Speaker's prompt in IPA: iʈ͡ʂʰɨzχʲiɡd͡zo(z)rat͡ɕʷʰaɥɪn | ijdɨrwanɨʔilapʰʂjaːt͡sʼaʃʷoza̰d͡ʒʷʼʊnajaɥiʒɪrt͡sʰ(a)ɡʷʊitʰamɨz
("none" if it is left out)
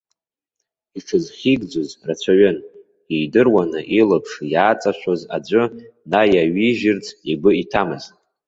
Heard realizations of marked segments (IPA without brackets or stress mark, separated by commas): z, i